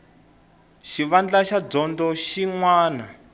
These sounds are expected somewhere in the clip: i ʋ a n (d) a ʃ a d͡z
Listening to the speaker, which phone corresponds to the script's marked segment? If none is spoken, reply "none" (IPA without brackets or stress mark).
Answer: d͡ɮ